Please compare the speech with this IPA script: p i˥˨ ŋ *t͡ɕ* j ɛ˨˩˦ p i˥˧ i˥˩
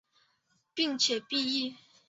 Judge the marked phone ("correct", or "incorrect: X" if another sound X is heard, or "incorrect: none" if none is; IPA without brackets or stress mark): incorrect: t͡ɕʰ